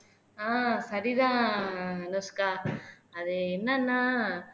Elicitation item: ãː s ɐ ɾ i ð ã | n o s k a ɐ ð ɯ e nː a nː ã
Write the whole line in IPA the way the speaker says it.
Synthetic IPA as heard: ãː s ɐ ɾ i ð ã | n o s k a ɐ ð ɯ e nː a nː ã